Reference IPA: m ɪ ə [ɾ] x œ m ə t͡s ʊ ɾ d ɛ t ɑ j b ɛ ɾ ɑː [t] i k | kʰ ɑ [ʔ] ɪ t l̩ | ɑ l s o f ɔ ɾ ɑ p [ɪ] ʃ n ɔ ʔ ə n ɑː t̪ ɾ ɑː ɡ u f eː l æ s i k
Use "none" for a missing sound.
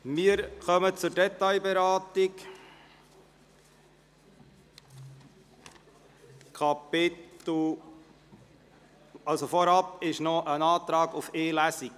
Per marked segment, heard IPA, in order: ɾ, t, p, ɪ

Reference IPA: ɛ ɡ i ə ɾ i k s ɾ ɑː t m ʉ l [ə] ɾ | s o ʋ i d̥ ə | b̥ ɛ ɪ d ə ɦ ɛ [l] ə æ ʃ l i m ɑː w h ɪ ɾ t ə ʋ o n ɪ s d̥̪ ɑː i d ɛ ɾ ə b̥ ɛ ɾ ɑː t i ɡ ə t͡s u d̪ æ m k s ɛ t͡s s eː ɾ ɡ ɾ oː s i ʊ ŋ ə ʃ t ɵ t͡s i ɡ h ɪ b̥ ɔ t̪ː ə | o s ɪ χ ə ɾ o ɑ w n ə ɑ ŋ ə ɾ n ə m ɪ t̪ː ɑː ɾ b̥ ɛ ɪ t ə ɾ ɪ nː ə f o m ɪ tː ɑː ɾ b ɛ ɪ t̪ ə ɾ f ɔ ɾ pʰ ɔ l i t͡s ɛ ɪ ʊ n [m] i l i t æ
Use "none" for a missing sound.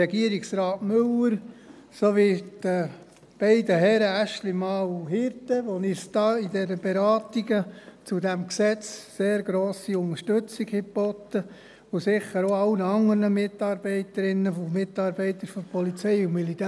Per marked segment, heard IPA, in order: ə, ɾ, m

